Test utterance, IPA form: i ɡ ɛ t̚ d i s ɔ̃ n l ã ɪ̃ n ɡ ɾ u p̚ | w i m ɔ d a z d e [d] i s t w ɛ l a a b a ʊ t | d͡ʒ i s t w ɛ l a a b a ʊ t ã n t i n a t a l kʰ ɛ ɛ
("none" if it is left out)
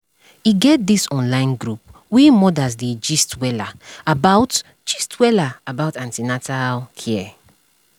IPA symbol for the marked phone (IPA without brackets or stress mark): d͡ʒ